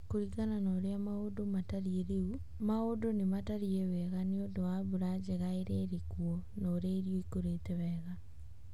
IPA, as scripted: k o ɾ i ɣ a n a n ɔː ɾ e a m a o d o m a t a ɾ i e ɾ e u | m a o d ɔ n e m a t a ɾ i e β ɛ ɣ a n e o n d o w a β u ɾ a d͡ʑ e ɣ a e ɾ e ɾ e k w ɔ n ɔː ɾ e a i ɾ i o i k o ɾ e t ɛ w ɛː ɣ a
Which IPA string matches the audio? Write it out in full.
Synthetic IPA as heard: k o ɾ i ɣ a n a n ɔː ɾ e a m a o d o m a t a ɾ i e ɾ e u | m a o d o n e m a t a ɾ i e w ɛ ɣ a n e o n d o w a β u ɾ a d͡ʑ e ɣ a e ɾ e ɾ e k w ɔ n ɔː ɾ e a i ɾ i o i k o ɾ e t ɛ w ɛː ɣ a